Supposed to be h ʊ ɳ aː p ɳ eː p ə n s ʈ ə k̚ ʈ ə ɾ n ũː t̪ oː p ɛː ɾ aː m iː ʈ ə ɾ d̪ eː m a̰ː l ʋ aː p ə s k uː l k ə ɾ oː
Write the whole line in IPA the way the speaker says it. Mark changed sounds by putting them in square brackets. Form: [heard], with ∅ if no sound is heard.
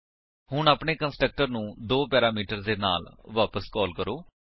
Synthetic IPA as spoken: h ʊ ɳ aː p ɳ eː [k] ə n s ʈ ə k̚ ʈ ə ɾ n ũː [d̪] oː p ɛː ɾ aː m iː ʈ ə ɾ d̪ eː [n] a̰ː l ʋ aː p ə s k [ɔː] l k ə ɾ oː